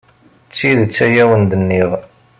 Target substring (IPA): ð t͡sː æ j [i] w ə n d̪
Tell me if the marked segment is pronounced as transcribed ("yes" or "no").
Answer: no